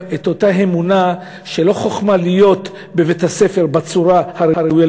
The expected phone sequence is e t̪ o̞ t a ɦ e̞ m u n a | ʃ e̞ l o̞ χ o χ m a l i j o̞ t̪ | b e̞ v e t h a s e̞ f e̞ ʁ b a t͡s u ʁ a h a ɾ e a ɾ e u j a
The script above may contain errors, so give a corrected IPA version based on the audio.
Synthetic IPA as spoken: e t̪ o̞ t a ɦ e̞ m u n a | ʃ e̞ l o̞ χ o χ m a l i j o̞ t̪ | b e̞ v e t h a s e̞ f e̞ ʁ b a t͡s u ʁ a h a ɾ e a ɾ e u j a